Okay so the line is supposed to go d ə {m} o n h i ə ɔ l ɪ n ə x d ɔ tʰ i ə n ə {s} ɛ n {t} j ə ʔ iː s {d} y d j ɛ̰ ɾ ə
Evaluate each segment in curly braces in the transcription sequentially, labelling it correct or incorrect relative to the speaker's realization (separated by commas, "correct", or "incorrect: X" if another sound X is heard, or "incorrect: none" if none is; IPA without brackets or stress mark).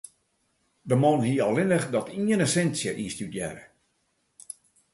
correct, correct, incorrect: s, incorrect: t